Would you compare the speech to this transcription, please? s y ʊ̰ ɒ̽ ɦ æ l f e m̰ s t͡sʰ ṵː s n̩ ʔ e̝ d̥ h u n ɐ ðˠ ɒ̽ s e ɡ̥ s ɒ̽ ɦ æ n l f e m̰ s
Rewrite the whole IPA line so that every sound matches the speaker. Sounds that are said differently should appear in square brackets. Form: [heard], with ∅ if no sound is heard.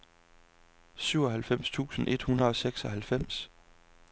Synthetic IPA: s y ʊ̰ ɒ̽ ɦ æ l f e m̰ s t͡sʰ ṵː s n̩ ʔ e̝ d̥ h u n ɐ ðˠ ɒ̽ s e ɡ̥ s ɒ̽ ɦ æ [∅] l f e m̰ s